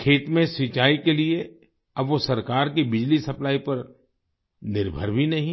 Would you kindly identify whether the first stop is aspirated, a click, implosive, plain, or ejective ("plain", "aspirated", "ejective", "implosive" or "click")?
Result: aspirated